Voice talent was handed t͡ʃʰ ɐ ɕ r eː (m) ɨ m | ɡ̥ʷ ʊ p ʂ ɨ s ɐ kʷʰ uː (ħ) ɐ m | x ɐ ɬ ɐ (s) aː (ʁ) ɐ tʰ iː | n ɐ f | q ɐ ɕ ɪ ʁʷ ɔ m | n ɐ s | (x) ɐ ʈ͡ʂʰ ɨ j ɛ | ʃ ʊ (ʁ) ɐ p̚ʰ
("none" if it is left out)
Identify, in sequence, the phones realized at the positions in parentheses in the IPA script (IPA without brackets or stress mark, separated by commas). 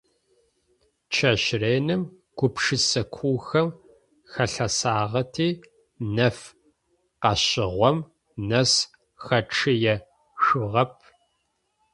n, x, s, ʁ, x, ʁ